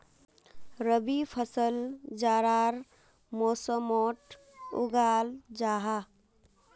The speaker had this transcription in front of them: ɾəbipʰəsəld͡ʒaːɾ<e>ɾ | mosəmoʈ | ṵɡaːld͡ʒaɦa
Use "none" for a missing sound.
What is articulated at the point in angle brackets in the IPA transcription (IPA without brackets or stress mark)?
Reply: a